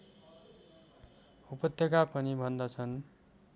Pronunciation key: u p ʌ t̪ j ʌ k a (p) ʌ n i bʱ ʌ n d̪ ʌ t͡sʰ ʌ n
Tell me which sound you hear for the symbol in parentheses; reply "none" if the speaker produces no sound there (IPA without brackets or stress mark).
p